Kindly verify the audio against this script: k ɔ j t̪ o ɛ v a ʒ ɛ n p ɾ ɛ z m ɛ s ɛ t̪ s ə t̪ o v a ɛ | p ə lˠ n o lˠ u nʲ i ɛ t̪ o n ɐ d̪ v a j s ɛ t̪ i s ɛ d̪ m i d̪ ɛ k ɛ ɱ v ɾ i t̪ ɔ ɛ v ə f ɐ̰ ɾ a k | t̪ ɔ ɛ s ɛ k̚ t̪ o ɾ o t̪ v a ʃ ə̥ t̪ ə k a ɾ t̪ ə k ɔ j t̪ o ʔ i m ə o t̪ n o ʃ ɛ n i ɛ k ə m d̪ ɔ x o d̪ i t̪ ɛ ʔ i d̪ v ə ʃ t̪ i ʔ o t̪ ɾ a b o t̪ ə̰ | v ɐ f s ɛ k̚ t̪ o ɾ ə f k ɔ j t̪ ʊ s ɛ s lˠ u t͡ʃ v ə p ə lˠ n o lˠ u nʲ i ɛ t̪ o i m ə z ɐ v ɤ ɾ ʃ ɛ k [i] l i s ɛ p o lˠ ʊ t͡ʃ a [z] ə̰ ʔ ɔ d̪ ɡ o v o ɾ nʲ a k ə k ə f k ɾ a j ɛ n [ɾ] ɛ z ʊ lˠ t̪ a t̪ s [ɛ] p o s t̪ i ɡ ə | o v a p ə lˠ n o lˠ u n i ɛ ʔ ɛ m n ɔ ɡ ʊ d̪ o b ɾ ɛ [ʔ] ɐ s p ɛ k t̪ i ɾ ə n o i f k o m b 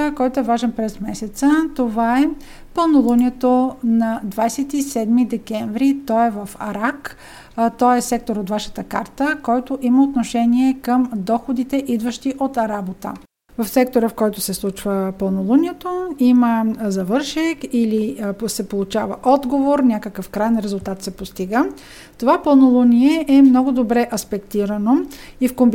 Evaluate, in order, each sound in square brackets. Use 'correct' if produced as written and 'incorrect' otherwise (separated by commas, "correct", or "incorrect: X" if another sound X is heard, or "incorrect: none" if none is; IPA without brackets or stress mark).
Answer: correct, incorrect: v, correct, correct, correct